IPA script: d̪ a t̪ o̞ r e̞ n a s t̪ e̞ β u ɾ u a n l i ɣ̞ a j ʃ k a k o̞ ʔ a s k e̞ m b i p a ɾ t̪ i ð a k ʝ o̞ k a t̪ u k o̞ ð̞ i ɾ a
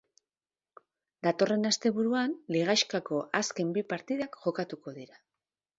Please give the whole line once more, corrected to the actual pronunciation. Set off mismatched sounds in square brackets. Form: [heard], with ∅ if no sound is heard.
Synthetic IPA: d̪ a t̪ o̞ r e̞ n a s t̪ e̞ β u ɾ u a n l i ɣ̞ a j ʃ k a k o̞ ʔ a s k e̞ m b i p a ɾ t̪ i ð a k ʝ o̞ k a t̪ u k o̞ ð̞ i ɾ a